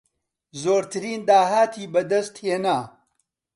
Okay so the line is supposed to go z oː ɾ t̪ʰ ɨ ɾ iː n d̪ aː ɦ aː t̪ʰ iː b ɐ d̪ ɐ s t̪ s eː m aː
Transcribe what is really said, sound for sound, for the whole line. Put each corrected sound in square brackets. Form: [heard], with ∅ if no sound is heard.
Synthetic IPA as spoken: z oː ɾ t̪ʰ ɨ ɾ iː n d̪ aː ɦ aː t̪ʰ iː b ɐ d̪ ɐ s t̪ [h] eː [n] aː

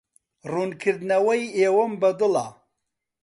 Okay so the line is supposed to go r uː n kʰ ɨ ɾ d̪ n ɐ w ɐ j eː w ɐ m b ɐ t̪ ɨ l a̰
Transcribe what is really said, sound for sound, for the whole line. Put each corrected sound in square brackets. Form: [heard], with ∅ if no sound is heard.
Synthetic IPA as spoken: r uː n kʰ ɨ ɾ d̪ n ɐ w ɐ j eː w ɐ m b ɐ [d̪] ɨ l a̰

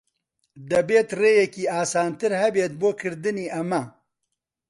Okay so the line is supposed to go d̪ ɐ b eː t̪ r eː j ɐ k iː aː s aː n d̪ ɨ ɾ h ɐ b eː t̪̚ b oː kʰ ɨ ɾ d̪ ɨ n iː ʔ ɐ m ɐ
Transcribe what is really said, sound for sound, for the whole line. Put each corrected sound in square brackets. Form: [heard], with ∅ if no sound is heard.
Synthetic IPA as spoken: d̪ ɐ b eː t̪ r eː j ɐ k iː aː s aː n [t̪] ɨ ɾ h ɐ b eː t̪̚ b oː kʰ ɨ ɾ d̪ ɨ n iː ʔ ɐ m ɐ

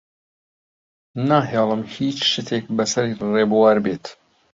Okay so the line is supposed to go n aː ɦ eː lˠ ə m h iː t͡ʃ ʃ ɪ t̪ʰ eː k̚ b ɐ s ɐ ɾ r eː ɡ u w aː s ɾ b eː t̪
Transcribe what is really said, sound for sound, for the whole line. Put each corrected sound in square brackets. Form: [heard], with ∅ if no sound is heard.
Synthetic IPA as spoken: n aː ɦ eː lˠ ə m h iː t͡ʃ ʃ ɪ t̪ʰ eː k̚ b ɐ s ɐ ɾ r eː [b] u w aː [∅] ɾ b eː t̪

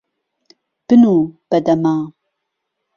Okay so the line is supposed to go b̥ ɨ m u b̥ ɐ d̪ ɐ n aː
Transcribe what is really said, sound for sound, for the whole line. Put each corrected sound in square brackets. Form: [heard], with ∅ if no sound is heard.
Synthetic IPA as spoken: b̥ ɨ [n] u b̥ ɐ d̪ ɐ [m] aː

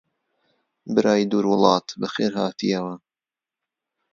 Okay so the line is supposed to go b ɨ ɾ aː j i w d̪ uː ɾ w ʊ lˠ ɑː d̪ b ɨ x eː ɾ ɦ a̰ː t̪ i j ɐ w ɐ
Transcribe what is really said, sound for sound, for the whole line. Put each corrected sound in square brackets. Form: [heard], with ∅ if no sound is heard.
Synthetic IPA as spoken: b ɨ ɾ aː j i [∅] d̪ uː ɾ w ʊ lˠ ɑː [t̪] b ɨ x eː ɾ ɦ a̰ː t̪ i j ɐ w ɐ

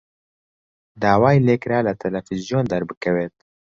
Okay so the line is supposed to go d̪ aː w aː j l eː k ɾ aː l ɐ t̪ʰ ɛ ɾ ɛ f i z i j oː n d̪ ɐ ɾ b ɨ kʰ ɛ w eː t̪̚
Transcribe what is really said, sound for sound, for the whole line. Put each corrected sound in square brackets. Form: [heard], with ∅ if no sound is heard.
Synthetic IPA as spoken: d̪ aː w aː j l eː k ɾ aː l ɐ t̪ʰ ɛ [l] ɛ f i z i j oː n d̪ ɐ ɾ b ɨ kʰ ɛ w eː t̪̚

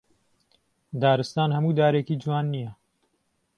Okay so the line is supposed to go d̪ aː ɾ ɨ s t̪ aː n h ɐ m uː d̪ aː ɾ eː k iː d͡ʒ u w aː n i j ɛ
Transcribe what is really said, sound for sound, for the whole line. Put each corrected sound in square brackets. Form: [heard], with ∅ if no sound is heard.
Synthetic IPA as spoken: d̪ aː ɾ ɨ s t̪ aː n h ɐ m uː d̪ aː ɾ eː k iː d͡ʒ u w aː [nː] i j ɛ

